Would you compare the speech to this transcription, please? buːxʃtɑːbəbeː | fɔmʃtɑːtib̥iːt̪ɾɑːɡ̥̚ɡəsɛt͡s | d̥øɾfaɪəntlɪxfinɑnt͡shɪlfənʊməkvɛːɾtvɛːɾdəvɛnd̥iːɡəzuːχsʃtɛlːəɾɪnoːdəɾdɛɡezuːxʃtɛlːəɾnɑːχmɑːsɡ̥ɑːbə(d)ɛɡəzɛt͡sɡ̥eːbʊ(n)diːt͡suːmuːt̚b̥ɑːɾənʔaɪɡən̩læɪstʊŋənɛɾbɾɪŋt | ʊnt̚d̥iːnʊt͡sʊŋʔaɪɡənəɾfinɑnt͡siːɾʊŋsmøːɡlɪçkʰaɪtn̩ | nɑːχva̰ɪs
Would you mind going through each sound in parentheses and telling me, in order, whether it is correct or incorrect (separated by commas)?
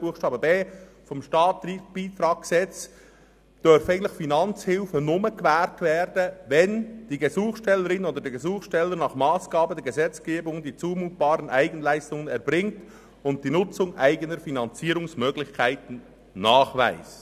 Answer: correct, incorrect